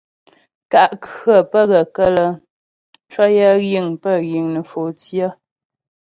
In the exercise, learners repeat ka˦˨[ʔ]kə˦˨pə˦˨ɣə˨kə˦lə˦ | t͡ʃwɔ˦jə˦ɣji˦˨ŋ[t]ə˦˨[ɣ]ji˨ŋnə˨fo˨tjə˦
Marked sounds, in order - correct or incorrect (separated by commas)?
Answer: correct, incorrect, correct